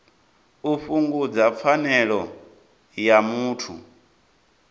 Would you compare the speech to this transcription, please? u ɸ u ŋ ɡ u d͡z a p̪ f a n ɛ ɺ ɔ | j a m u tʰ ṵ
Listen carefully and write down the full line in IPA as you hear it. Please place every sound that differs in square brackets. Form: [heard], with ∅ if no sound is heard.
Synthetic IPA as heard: u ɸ u ŋ ɡ u d͡z a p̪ f a n ɛ ɺ ɔ | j a m [uː] tʰ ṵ

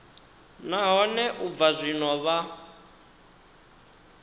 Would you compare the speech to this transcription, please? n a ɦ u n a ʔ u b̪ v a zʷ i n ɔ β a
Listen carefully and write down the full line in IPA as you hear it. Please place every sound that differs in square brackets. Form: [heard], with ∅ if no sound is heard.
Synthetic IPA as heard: n a ɦ [ɔ] n [ɛ] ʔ u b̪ v a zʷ i n ɔ β a

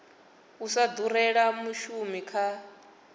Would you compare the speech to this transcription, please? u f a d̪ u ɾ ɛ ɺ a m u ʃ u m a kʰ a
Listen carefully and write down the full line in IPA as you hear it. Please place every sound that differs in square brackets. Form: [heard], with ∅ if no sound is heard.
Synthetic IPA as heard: u [s] a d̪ u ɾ ɛ ɺ a m u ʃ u m [i] kʰ a

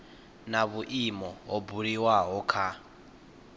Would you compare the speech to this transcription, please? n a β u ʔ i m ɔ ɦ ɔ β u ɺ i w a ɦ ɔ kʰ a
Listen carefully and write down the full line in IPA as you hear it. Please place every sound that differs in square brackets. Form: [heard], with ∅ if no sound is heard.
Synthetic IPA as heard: n a β u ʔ i m ɔ ɦ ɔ [b] u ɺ i w a ɦ ɔ kʰ a

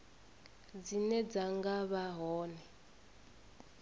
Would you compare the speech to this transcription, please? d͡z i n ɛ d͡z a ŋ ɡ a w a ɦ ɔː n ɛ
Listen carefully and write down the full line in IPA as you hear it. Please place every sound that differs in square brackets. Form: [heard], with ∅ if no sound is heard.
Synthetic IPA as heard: d͡z i n ɛ d͡z a ŋ ɡ a [β] a ɦ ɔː n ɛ

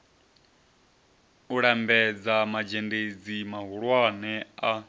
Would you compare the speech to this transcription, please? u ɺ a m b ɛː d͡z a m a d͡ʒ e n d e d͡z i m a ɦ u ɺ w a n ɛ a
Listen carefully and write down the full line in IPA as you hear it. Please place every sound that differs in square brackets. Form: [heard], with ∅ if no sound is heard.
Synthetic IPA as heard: u ɺ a m b [ɛ] d͡z a m a d͡ʒ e n d e d͡z i m a ɦ u ɺ w a n ɛ a

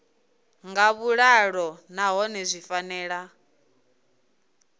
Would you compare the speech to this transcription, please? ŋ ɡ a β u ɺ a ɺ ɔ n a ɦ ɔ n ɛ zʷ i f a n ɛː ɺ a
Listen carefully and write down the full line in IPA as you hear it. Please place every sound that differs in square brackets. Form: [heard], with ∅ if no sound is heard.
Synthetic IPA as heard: ŋ ɡ a β u ɺ a ɺ ɔ n a ɦ ɔ n ɛ zʷ i f a n ɛː ɺ a

